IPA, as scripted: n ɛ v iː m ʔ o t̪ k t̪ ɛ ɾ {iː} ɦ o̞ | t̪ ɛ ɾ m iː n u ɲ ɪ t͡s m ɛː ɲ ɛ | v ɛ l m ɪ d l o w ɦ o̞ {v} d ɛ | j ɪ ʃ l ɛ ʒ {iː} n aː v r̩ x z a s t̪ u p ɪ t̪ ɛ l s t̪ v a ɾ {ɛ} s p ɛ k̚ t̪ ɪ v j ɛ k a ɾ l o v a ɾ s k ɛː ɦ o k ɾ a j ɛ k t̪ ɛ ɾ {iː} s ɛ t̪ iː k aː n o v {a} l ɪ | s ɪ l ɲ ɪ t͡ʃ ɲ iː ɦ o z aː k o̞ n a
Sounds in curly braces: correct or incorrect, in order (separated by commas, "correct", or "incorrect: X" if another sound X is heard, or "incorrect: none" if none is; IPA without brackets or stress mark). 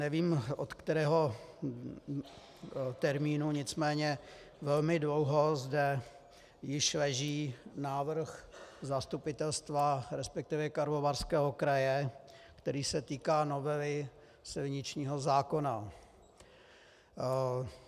incorrect: ɛː, incorrect: z, correct, correct, correct, incorrect: ɛ